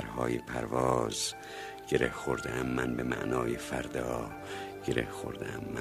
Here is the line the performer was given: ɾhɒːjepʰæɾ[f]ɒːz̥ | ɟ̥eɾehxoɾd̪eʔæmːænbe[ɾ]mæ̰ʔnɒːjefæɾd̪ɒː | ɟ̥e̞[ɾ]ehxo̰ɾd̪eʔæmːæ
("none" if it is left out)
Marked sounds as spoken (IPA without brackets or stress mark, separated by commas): v, none, ɾ